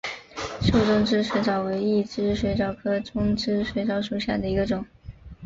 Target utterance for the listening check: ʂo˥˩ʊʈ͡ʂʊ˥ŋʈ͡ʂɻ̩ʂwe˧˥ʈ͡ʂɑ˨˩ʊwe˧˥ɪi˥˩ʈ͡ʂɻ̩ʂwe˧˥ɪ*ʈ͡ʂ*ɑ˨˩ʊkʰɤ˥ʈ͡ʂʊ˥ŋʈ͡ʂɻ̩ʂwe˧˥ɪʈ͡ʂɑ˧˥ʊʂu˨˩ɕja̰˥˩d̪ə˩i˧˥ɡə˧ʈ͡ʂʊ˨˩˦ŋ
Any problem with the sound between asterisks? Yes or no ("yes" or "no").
no